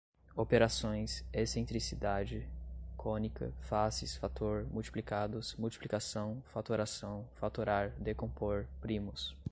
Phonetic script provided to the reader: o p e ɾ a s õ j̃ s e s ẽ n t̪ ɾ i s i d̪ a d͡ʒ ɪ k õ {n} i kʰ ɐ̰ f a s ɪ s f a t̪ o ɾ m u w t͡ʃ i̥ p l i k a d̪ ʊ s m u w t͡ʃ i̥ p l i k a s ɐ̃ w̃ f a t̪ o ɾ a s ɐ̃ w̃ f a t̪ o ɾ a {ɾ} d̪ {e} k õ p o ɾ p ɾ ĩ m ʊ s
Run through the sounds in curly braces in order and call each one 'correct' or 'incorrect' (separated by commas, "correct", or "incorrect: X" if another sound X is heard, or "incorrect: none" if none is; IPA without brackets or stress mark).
correct, correct, correct